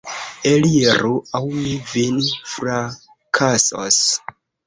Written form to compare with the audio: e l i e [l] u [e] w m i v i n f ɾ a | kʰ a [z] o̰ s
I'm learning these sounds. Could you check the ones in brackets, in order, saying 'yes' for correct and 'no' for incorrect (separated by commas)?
no, no, no